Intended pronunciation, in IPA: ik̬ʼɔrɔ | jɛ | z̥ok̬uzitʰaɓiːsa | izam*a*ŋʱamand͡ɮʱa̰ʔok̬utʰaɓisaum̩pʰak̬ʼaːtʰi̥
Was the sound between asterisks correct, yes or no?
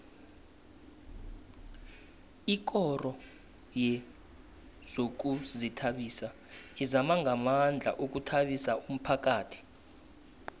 yes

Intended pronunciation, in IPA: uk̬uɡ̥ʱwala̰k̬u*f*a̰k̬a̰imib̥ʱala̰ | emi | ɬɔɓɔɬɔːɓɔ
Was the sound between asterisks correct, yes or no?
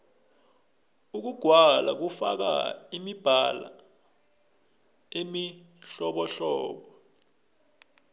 yes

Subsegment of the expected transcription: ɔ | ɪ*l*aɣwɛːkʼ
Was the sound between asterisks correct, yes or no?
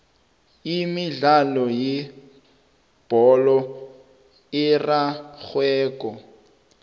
no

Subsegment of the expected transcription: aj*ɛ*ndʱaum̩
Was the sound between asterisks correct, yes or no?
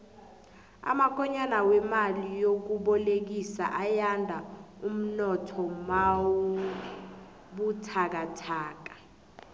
no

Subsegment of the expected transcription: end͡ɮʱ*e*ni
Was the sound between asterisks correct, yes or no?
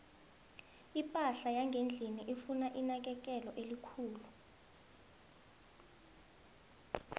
no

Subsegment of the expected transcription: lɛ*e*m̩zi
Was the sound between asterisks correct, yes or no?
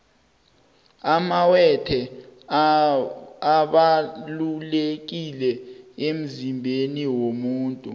yes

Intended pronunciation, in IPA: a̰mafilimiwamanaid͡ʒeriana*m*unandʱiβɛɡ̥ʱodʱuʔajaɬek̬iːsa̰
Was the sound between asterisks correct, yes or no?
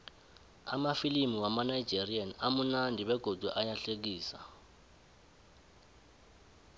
yes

